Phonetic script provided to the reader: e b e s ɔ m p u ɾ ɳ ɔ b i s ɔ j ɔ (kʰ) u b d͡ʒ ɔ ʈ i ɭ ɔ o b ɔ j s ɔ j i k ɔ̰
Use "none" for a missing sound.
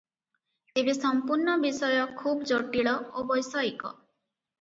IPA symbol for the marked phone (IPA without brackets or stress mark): kʰ